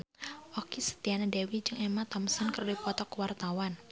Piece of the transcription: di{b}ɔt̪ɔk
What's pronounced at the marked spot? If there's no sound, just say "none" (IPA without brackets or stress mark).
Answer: p